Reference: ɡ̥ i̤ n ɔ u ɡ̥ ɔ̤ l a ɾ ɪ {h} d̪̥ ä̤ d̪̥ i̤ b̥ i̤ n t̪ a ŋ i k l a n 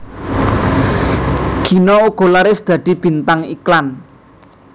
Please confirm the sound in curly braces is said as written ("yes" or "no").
no